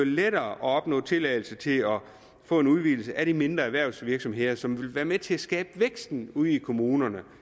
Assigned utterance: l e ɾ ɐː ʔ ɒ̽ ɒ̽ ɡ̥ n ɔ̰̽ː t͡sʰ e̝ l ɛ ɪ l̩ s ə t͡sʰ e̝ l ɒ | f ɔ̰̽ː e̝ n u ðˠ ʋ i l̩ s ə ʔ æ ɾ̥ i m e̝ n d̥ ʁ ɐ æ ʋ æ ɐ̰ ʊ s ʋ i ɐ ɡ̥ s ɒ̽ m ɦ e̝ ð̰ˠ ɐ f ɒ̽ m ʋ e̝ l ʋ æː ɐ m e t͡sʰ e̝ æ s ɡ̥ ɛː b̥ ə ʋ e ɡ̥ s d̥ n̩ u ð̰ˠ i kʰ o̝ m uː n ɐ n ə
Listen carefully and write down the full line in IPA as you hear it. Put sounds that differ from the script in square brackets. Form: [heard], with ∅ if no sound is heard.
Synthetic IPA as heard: l e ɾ ɐː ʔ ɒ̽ ɒ̽ [b̥] n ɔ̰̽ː t͡sʰ e̝ l ɛ ɪ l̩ s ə t͡sʰ e̝ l ɒ | f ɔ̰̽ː e̝ n u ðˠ ʋ i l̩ s ə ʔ æ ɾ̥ i m e̝ n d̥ ʁ ɐ æ ʋ æ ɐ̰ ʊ s ʋ i ɐ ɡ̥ s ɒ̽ m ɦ e̝ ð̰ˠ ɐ [s] ɒ̽ m ʋ e̝ l ʋ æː ɐ m e t͡sʰ e̝ æ s ɡ̥ ɛː b̥ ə ʋ e ɡ̥ s d̥ n̩ u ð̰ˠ i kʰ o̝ m uː n ɐ n ə